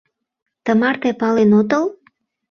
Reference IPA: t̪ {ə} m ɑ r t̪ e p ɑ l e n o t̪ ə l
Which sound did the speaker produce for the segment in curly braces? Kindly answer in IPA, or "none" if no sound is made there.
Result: ə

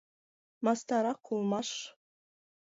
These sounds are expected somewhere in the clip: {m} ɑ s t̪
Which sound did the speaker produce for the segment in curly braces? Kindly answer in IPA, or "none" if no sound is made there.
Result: m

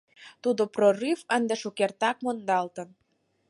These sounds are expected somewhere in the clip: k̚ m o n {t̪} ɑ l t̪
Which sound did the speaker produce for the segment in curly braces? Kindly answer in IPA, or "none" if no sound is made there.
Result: d̪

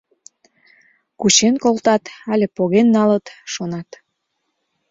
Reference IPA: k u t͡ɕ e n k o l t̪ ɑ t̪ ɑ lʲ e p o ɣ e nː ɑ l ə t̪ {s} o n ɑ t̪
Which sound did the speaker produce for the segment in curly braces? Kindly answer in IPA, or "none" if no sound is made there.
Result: ʃ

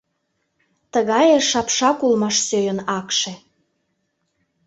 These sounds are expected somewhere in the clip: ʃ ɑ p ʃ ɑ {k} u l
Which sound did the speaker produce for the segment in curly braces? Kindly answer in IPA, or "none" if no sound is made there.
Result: k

